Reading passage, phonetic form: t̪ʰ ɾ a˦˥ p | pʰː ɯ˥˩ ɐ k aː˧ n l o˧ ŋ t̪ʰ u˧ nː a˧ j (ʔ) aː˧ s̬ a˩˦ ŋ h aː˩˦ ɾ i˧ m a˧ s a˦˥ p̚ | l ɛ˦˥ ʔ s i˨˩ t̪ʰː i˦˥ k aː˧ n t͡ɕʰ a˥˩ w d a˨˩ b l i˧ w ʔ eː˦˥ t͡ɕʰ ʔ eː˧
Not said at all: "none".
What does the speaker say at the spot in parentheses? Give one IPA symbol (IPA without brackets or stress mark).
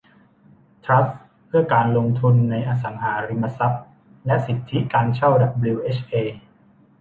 ʔ